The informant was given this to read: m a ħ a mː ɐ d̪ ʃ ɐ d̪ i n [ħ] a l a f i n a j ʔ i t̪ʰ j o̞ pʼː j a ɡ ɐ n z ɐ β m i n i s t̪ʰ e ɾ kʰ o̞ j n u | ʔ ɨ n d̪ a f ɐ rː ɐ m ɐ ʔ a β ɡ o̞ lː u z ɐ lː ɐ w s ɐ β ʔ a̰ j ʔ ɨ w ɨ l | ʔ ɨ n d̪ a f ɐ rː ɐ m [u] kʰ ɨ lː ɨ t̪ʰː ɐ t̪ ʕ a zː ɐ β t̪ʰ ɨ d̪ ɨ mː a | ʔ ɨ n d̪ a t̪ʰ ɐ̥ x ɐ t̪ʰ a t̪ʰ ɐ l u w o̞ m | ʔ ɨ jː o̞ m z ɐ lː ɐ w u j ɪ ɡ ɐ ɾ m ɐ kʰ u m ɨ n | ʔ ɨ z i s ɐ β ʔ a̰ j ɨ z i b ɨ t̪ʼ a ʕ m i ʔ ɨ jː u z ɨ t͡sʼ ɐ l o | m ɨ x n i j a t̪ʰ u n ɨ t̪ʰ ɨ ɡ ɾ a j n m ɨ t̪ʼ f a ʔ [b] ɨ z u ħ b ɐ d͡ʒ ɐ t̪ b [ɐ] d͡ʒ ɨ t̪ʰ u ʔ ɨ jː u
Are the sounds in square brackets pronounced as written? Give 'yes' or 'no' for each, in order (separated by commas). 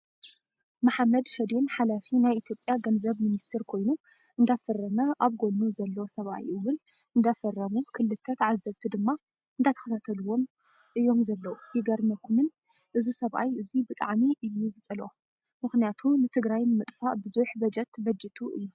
yes, yes, yes, yes